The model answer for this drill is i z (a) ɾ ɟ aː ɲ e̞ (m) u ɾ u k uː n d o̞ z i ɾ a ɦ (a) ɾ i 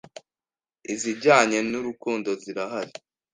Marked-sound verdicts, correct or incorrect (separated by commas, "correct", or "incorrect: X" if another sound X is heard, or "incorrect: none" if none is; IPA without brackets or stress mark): incorrect: i, incorrect: n, correct